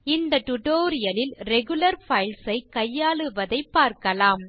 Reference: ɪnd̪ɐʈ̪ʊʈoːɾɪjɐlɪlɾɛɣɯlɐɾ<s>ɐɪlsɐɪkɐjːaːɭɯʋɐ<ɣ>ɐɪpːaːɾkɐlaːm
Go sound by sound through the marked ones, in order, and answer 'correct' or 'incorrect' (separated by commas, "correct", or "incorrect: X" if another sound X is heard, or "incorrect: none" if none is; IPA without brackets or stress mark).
incorrect: f, incorrect: ð